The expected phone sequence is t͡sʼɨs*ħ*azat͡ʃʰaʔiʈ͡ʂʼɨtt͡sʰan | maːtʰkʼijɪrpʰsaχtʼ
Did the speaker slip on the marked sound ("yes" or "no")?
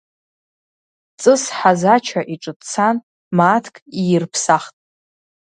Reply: no